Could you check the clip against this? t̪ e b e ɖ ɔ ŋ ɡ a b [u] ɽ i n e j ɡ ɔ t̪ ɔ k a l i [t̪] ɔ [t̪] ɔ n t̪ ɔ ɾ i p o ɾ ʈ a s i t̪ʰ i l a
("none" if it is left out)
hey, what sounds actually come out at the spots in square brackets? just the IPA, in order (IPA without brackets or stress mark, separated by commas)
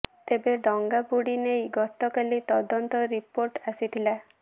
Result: u, t̪, d̪